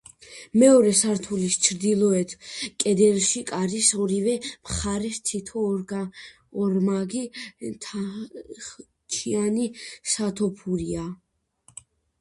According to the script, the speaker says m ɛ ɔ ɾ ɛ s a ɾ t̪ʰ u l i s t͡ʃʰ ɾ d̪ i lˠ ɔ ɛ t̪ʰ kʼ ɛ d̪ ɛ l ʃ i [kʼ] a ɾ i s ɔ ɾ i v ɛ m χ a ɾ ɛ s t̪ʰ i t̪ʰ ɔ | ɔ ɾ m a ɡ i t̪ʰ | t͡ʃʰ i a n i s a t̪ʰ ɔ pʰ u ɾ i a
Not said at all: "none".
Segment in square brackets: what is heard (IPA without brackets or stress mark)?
kʼ